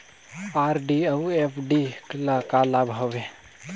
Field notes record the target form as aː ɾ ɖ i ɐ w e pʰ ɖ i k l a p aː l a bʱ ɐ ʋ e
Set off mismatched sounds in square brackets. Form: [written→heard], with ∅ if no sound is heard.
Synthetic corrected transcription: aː ɾ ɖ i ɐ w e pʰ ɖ i k l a [p→k] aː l a bʱ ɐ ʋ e